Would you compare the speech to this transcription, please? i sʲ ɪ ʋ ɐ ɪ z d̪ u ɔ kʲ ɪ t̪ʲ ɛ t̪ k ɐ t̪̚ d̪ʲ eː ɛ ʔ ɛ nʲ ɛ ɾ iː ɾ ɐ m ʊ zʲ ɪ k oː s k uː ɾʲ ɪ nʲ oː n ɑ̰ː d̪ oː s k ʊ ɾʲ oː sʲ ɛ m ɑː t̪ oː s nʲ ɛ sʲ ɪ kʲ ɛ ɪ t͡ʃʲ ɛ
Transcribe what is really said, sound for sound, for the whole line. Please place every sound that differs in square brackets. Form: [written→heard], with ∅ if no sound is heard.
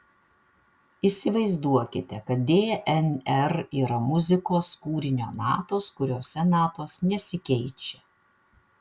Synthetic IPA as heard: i sʲ ɪ ʋ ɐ ɪ z d̪ u ɔ kʲ ɪ t̪ʲ ɛ [t̪→∅] k ɐ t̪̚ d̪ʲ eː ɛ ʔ ɛ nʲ ɛ ɾ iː ɾ ɐ m ʊ zʲ ɪ k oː s k uː ɾʲ ɪ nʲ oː n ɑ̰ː [d̪→t̪] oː s k ʊ ɾʲ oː sʲ ɛ [m→n] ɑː t̪ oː s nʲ ɛ sʲ ɪ kʲ ɛ ɪ t͡ʃʲ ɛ